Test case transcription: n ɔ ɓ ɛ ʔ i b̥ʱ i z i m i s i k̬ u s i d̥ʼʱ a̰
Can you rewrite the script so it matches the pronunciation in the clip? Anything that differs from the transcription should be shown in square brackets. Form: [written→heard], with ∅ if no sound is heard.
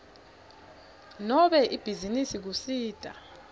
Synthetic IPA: n ɔ ɓ ɛ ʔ i b̥ʱ i z i [m→n] i s i k̬ u s [i→iː] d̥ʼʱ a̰